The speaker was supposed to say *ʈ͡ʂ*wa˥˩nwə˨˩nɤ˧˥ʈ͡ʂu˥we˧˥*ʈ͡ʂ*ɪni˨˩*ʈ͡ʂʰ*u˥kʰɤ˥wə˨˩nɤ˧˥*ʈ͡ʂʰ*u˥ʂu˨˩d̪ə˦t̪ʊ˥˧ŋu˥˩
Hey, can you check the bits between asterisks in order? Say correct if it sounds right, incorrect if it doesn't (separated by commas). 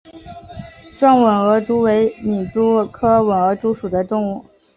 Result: correct, incorrect, incorrect, incorrect